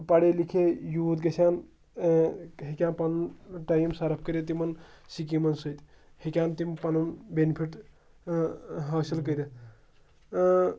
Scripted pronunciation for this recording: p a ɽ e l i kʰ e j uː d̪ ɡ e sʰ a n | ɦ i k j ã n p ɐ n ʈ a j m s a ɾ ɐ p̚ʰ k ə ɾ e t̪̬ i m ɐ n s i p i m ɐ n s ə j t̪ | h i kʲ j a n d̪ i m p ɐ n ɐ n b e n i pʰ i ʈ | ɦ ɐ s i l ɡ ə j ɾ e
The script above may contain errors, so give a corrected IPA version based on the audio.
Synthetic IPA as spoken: p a ɽ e l i kʰ e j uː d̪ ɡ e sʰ a n | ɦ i k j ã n p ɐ n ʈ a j m s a ɾ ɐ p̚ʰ k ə ɾ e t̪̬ i m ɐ n s i k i m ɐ n s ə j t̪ | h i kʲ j a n t̪ i m p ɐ n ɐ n b e n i pʰ i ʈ | ɦ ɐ s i l k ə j ɾ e